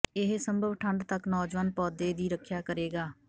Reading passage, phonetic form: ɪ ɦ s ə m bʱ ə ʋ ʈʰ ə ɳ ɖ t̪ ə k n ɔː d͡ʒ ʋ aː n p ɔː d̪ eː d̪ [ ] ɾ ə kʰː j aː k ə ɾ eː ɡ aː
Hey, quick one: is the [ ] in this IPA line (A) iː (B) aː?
A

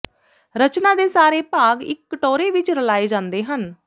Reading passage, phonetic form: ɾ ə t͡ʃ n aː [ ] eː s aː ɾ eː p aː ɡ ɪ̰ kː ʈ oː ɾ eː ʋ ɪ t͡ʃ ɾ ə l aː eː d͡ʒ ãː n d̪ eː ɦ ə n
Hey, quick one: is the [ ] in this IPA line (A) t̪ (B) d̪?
B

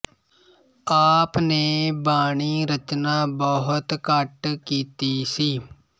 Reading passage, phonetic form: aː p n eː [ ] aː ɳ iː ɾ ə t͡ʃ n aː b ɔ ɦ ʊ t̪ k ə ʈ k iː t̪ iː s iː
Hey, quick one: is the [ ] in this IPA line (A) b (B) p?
A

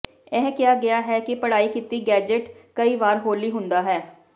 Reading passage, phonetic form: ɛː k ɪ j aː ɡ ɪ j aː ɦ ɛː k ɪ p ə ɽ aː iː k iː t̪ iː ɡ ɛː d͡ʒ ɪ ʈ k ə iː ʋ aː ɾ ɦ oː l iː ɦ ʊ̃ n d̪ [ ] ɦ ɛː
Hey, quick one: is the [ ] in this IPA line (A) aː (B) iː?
A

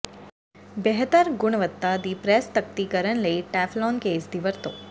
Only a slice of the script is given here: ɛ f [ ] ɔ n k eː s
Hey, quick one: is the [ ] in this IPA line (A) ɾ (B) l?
B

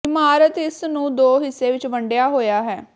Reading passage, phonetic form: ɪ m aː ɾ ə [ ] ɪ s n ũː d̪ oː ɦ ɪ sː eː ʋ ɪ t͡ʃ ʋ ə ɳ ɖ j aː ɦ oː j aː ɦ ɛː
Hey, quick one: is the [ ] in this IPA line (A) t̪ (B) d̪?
A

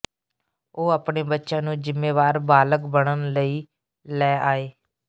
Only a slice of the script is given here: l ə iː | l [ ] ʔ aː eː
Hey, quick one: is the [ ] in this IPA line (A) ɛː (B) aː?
A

